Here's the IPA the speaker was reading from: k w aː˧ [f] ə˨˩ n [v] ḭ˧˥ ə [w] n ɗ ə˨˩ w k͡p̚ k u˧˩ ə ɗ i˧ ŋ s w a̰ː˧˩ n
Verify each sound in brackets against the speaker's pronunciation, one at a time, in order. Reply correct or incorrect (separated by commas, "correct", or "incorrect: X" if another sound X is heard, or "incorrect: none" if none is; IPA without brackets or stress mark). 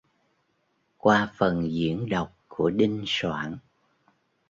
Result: correct, incorrect: z, incorrect: none